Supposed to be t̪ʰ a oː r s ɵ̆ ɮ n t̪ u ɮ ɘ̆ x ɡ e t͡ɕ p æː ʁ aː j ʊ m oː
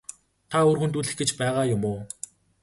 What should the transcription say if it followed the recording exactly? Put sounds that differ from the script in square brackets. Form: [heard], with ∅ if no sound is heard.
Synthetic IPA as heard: t̪ʰ a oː r [x] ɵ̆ [∅] n t̪ u ɮ ɘ̆ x ɡ e t͡ɕ p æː ʁ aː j ʊ m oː